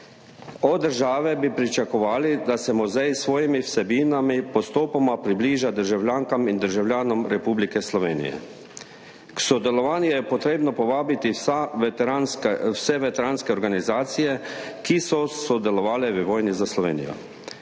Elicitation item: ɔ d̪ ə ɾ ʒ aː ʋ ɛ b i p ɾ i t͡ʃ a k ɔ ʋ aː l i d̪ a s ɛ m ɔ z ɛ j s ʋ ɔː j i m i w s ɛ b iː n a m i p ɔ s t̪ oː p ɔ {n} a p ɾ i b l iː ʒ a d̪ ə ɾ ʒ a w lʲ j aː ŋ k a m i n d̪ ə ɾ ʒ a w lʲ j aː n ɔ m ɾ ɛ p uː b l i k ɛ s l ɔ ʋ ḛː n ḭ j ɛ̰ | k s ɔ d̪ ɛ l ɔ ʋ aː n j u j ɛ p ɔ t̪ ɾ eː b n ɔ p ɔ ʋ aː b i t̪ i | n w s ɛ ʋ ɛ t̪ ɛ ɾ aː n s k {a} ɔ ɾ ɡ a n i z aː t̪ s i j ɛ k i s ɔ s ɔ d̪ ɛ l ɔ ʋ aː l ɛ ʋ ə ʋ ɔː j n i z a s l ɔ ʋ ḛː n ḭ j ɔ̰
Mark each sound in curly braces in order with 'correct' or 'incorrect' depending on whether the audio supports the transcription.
incorrect: m, incorrect: ɛ

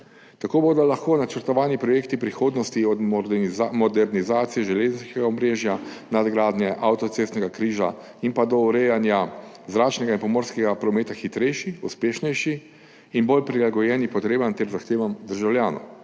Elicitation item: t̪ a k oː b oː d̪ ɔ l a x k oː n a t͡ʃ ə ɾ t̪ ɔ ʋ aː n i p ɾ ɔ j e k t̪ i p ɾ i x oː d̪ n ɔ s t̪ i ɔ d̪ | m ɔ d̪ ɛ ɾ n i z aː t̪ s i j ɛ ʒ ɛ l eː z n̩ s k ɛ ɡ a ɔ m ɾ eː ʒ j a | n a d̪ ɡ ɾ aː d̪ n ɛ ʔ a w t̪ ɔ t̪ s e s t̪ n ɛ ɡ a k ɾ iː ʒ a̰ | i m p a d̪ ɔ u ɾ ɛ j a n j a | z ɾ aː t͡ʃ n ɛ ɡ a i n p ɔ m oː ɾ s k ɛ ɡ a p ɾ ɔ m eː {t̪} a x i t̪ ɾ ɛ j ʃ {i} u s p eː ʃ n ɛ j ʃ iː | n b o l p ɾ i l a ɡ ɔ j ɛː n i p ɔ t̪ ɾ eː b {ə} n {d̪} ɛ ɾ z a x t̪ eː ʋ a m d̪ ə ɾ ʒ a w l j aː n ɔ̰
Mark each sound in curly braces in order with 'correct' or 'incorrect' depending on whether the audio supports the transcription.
correct, correct, incorrect: a, incorrect: t̪

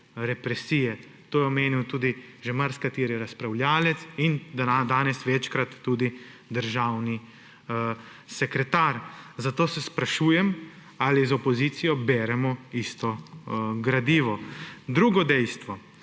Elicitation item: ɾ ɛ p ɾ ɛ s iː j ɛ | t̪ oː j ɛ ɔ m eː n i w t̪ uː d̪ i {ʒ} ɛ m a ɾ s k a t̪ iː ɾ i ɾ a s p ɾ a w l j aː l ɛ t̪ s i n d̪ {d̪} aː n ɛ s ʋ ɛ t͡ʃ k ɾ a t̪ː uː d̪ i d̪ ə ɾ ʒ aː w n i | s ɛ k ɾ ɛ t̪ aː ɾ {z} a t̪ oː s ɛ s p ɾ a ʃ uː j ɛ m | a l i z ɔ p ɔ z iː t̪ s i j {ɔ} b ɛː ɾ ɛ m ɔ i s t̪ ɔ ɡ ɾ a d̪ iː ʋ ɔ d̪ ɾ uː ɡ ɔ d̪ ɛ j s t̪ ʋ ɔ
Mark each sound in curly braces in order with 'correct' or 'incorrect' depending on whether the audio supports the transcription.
correct, correct, correct, correct

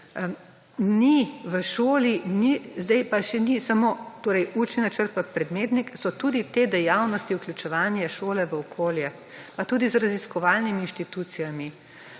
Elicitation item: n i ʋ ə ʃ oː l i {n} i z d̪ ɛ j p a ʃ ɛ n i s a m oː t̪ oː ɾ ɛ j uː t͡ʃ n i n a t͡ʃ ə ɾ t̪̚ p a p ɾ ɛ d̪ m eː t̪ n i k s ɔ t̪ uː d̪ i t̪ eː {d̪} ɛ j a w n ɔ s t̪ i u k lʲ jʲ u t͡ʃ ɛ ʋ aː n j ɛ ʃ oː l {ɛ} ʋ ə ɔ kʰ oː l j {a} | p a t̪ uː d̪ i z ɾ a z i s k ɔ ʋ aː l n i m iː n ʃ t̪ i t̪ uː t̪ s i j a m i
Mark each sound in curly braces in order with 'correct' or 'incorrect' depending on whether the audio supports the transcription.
correct, correct, correct, incorrect: ɛ

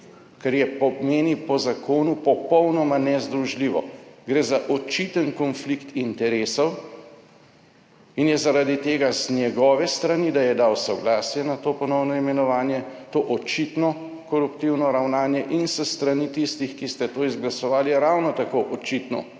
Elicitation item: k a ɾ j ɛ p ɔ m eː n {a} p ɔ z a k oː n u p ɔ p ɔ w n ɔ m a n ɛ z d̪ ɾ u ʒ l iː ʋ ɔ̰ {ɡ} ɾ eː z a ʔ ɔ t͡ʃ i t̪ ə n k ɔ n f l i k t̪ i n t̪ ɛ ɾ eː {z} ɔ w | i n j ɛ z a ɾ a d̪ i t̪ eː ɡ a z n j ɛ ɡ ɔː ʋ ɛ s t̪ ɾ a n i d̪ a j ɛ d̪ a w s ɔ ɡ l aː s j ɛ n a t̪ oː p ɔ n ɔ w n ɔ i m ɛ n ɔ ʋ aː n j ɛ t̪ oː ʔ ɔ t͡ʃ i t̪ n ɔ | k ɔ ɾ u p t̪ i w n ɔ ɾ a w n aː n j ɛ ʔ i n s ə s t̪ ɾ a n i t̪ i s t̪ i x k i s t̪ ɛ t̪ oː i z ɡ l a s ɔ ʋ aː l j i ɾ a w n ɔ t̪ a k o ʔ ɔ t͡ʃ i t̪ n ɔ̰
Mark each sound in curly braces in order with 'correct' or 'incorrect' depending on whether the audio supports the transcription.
incorrect: i, correct, incorrect: s

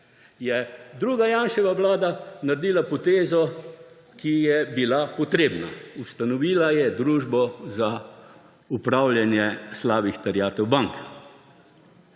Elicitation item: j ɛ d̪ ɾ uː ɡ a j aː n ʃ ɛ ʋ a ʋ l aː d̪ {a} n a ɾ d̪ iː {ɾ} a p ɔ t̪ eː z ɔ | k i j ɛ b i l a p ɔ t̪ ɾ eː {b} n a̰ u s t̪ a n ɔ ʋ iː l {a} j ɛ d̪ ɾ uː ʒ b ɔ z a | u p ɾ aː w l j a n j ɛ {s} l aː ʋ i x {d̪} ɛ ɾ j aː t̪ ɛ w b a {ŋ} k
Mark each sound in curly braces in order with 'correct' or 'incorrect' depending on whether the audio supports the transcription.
correct, incorrect: l, correct, correct, correct, incorrect: t̪, correct

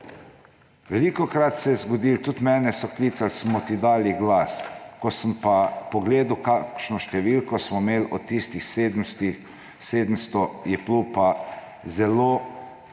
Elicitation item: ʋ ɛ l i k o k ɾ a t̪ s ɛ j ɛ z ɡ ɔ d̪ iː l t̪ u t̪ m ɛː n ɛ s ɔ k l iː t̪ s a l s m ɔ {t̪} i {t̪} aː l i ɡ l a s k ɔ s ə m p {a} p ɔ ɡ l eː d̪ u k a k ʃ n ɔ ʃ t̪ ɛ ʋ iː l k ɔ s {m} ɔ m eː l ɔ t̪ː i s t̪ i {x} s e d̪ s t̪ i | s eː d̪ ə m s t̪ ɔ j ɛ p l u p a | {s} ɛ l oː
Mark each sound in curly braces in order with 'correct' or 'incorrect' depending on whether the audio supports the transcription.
correct, incorrect: d̪, correct, correct, correct, incorrect: z

